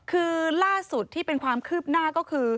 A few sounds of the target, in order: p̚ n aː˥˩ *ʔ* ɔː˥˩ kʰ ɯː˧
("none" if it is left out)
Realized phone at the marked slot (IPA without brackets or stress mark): k